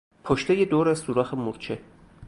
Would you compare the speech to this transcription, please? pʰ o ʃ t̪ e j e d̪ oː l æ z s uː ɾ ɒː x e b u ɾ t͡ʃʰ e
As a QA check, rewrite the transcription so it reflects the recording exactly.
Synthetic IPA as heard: pʰ o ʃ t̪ e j e d̪ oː ɾ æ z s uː ɾ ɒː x e m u ɾ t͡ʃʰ e

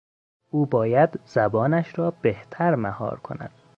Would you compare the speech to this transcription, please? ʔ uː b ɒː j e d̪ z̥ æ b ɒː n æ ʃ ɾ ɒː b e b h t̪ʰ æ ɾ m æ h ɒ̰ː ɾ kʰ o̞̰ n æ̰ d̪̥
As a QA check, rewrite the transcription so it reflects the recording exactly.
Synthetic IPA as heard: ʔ uː b ɒː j æ d̪ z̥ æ b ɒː n æ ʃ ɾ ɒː b e h t̪ʰ æ ɾ m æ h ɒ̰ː ɾ kʰ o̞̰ n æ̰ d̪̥

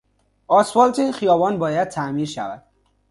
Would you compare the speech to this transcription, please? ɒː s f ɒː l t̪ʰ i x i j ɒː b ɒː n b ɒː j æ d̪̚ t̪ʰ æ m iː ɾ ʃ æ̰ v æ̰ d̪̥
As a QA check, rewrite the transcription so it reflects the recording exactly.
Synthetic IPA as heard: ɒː s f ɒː l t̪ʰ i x i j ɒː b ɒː n b ɒː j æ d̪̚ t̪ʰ æ m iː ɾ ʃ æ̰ v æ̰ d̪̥

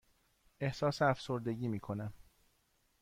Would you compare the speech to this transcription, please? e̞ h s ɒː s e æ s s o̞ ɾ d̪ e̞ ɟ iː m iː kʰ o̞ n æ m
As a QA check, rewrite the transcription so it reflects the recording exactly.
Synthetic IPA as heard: e̞ h s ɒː s e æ f s o̞ ɾ d̪ e̞ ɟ iː m iː kʰ o̞ n æ m

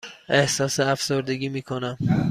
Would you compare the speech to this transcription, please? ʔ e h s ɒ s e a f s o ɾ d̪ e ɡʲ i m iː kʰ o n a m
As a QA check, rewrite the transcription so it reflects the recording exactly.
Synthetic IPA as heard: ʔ e h s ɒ s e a f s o ɾ d̪ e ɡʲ i m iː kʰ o n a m

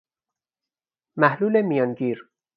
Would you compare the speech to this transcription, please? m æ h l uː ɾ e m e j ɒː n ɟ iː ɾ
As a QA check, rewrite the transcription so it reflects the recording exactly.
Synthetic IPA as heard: m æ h l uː l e m i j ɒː n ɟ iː ɾ

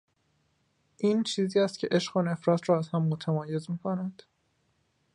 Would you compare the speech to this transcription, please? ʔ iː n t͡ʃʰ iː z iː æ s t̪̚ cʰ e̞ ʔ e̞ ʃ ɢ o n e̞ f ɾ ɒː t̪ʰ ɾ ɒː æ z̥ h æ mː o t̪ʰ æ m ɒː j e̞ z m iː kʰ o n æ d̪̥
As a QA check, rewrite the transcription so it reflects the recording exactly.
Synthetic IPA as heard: ʔ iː n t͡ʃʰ iː z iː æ s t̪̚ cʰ e̞ ʔ e̞ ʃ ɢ o n e̞ f ɾ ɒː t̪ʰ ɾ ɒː æ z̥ h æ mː o t̪ʰ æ m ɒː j e̞ z m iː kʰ o n æ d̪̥

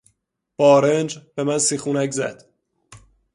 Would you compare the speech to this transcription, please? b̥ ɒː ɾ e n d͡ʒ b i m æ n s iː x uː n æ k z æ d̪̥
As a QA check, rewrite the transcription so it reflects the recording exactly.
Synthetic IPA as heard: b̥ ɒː ɾ e n d͡ʒ b e m æ n s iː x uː n æ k z æ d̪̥

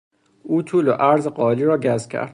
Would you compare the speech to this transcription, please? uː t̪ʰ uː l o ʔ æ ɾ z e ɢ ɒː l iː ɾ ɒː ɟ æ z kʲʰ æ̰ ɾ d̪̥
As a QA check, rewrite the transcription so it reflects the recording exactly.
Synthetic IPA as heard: uː t̪ʰ uː l o ʔ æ ɾ z e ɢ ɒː l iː ɾ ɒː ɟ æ z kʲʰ æ̰ ɾ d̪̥

